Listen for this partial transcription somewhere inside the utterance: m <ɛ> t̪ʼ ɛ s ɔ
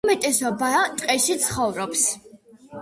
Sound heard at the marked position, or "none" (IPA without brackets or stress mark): ɛ